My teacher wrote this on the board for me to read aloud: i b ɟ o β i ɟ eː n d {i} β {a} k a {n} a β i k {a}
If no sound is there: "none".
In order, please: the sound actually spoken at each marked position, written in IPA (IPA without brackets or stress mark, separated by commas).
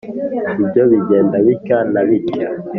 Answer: a, i, n, a